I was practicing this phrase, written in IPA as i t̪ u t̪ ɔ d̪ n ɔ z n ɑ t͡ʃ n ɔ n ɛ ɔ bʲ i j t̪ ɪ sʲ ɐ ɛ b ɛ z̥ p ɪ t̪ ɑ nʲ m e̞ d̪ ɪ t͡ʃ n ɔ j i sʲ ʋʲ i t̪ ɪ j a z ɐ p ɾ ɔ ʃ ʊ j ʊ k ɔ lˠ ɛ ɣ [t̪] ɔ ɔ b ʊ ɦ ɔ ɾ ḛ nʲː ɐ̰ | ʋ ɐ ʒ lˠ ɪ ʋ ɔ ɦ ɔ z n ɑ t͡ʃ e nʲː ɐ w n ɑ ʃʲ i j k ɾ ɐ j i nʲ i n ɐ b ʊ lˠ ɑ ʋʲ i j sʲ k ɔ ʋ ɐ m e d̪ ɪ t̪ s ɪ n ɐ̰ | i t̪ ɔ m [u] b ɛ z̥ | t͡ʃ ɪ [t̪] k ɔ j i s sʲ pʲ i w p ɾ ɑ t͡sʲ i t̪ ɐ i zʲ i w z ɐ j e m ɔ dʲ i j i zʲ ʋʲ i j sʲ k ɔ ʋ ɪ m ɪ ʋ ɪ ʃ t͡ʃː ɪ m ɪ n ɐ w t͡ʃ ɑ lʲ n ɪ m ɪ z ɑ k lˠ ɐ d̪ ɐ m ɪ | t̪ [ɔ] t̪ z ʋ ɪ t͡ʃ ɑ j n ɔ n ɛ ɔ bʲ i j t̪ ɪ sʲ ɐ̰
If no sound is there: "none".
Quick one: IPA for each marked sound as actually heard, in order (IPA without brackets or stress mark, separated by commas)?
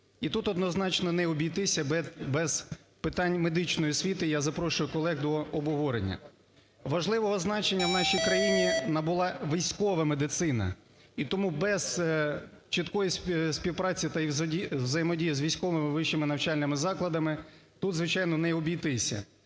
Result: d̪, u, t̪, u